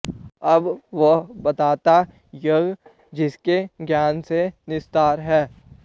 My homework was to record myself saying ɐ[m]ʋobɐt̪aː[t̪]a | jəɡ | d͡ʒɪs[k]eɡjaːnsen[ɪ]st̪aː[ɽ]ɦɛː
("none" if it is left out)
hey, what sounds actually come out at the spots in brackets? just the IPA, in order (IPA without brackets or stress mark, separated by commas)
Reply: b, t̪, k, ɪ, ɾ